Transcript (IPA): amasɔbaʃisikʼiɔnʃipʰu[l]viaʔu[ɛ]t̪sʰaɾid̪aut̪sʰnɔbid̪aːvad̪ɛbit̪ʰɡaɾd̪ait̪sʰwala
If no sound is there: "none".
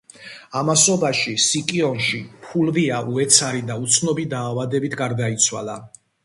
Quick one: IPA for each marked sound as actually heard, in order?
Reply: l, ɛ

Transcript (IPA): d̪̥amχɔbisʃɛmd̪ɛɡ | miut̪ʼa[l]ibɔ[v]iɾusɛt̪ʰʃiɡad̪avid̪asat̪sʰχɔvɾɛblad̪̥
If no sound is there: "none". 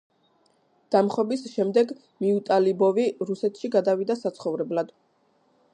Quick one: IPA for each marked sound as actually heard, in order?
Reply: l, v

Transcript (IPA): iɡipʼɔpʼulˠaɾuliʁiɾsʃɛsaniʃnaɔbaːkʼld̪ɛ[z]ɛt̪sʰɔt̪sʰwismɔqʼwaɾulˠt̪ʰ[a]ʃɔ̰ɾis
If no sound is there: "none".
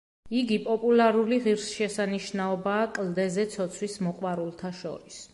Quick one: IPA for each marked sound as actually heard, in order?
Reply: z, a

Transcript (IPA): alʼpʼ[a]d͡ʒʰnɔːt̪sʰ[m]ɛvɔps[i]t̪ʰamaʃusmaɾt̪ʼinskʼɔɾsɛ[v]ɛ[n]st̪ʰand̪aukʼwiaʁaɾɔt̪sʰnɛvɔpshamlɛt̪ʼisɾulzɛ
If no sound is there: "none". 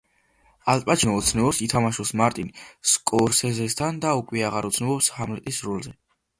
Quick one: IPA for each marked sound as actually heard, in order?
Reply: a, n, i, z, none

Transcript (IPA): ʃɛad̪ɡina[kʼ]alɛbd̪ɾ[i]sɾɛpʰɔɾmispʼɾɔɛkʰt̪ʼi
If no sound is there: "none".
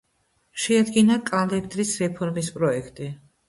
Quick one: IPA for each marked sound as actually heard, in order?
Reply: kʼ, i

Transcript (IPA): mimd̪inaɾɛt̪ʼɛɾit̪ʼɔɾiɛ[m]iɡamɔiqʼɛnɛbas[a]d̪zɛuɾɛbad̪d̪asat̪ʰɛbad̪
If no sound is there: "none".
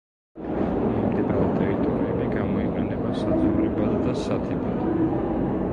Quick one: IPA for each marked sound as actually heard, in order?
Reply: b, a

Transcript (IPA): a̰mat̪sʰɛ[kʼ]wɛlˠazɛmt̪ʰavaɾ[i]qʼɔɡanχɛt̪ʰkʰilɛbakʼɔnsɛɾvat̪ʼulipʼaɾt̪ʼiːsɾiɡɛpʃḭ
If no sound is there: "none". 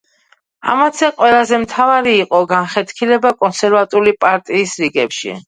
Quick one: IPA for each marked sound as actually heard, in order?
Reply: qʼ, iː

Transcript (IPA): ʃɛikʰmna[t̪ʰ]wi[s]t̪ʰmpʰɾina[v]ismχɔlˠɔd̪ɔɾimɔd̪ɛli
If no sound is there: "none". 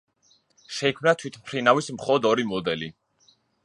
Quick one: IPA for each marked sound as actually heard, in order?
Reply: t̪ʰ, none, v

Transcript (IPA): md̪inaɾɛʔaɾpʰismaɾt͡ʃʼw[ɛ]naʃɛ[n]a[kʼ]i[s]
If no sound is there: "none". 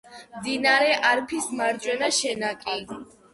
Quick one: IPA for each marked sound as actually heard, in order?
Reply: ɛ, n, kʼ, none

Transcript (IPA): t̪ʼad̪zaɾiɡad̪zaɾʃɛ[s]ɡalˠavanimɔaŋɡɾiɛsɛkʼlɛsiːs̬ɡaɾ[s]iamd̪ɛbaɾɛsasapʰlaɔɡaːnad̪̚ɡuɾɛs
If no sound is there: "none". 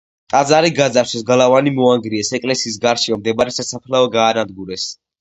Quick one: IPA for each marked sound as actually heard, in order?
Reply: s, ʃ

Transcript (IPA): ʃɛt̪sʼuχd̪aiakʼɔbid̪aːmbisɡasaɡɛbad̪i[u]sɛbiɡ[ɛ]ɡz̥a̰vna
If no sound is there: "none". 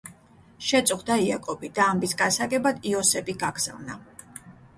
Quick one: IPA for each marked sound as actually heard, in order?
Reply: ɔ, a

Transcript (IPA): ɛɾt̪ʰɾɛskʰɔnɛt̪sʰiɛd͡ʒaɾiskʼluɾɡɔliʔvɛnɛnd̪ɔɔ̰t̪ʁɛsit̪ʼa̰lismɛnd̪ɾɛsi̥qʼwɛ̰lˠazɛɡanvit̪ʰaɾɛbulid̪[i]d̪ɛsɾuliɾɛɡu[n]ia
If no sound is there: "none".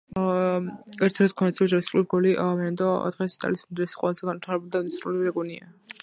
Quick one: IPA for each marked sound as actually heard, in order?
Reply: a, n

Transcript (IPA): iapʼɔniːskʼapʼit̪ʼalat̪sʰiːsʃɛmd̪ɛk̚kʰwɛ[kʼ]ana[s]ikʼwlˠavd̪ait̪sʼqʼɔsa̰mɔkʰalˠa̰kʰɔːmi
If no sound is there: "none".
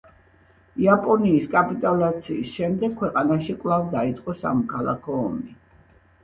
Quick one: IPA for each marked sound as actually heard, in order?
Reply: qʼ, ʃ

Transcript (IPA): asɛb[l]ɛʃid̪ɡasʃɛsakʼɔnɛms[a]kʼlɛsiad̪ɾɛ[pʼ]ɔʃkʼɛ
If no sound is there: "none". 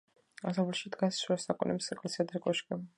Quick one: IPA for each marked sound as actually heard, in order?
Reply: l, ɛ, kʼ

